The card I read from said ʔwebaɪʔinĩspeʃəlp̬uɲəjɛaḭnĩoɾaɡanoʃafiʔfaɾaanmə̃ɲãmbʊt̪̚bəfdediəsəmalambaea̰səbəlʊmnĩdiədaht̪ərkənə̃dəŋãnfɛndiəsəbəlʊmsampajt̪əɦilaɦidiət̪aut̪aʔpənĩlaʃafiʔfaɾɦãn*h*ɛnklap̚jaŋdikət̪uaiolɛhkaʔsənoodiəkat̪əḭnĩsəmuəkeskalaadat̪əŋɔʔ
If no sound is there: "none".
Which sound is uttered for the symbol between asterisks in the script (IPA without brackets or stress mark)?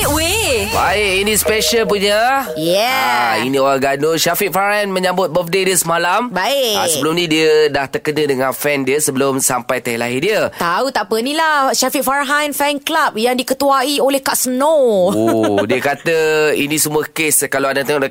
f